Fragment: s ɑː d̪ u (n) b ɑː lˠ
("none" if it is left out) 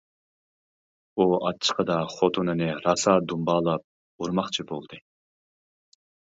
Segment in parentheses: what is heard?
m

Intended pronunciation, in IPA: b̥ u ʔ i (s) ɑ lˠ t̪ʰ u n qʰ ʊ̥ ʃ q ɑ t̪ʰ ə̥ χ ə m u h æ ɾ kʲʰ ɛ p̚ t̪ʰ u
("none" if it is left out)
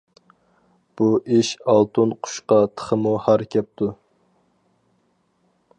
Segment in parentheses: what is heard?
ʃ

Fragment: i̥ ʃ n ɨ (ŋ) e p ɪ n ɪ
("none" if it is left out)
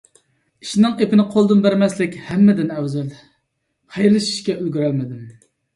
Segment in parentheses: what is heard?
ŋ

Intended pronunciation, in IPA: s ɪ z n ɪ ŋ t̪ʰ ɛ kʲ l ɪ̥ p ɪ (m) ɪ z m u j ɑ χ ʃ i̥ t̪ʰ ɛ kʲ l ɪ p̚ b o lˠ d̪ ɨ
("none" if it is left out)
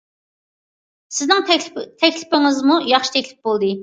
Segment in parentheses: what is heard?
ŋ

